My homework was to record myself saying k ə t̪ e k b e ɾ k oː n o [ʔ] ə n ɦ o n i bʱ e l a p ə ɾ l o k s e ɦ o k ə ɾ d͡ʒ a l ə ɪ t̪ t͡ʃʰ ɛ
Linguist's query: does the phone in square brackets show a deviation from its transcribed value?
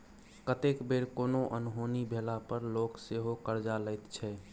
no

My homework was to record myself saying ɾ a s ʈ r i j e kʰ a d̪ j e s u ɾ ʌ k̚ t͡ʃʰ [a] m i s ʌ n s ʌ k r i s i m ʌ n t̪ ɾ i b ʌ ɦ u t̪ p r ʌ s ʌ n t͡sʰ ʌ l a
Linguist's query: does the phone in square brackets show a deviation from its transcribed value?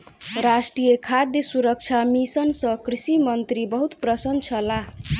no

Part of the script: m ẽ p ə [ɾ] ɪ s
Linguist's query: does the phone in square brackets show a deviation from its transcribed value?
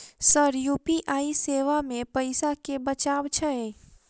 yes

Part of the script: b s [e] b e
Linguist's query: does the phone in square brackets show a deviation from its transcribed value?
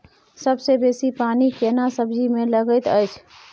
no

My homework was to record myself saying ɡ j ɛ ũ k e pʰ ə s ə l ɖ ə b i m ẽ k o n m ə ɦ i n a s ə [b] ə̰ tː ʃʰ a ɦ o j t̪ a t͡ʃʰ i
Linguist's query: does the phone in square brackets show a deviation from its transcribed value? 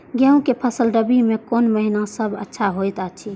no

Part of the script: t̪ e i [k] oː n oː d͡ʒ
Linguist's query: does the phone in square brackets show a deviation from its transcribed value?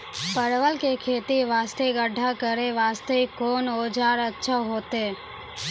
no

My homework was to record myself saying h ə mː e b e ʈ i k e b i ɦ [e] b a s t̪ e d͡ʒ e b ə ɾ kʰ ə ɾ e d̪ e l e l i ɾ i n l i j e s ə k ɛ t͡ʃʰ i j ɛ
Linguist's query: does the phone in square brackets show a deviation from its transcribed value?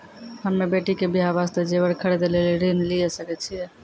yes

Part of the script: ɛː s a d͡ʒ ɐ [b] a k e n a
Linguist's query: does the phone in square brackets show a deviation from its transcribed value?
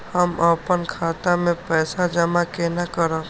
yes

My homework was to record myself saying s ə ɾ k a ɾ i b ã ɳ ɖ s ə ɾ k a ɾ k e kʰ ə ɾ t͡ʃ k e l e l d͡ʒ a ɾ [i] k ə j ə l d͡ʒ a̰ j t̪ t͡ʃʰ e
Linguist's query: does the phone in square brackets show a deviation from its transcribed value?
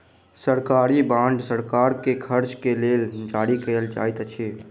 no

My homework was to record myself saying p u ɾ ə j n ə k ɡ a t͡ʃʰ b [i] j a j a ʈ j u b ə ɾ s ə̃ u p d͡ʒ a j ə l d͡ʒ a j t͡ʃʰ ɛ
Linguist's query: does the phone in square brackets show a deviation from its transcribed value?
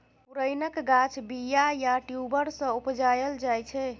no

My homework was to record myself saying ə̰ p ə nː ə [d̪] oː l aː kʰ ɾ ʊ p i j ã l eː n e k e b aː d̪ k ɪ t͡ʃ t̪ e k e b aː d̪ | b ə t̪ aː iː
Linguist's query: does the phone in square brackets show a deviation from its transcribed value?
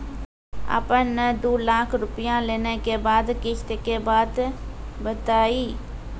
no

